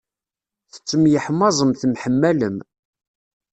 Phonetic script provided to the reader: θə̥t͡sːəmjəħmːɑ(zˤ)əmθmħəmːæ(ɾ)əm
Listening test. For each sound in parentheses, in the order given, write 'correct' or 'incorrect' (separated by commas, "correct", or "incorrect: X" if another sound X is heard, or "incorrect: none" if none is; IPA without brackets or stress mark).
correct, incorrect: l